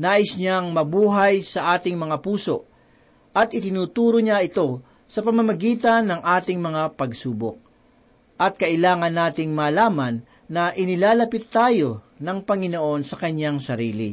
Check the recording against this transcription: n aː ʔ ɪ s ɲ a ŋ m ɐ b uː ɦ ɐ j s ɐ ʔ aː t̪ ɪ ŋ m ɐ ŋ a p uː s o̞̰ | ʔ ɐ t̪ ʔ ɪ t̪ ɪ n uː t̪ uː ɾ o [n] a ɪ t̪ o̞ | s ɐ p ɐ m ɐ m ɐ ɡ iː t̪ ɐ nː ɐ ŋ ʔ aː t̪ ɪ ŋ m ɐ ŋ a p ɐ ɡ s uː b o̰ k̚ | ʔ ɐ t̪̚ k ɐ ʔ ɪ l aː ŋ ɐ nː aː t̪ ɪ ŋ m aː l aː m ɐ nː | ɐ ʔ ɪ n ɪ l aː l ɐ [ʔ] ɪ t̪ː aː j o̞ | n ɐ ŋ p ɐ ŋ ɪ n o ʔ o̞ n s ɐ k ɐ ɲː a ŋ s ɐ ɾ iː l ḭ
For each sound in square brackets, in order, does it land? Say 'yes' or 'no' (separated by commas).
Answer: no, no